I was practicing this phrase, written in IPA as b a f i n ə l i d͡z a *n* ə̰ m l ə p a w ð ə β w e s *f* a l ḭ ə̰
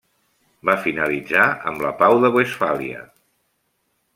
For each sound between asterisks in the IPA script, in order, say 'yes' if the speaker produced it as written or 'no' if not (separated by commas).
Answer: no, yes